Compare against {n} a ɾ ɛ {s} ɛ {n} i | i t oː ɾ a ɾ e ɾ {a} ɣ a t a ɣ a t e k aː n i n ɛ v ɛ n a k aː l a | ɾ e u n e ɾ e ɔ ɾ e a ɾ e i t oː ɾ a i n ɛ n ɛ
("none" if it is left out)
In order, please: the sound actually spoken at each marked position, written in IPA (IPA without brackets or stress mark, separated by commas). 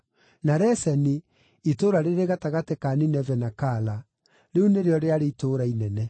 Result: n, s, n, e